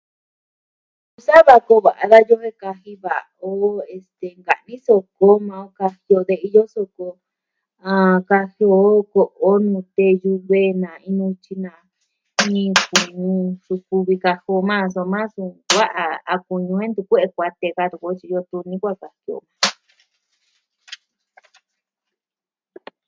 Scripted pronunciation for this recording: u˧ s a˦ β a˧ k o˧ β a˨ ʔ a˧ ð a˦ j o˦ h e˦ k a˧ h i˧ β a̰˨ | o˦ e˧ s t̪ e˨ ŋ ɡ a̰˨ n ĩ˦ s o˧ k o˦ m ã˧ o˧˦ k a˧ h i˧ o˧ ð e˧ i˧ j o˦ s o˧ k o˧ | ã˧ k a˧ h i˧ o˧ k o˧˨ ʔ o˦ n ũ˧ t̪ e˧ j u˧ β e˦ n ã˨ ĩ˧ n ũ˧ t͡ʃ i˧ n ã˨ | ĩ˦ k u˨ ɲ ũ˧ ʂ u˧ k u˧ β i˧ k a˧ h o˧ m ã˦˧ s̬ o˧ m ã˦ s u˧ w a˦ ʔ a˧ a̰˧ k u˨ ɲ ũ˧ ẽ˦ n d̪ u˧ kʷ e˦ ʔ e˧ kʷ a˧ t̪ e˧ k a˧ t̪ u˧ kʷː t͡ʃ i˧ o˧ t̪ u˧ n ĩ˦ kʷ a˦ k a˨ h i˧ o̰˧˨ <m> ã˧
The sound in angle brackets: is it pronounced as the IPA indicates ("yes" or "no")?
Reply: yes